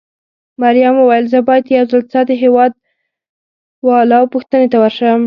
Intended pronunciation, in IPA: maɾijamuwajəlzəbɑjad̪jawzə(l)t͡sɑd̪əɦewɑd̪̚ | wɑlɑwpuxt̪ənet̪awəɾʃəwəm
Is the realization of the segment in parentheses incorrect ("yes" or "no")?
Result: no